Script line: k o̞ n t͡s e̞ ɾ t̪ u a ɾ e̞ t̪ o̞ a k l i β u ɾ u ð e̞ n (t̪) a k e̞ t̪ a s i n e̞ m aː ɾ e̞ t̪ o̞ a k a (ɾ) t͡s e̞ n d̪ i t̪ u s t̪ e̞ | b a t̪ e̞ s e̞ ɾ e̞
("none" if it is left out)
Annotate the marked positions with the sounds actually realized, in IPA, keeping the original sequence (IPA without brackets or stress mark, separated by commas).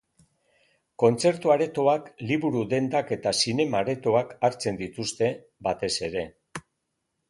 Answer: d̪, ɾ